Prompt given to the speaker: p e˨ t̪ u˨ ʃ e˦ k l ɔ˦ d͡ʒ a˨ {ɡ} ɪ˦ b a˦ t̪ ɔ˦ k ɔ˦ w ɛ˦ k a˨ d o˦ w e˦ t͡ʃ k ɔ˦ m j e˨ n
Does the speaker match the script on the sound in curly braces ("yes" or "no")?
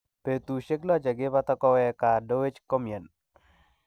yes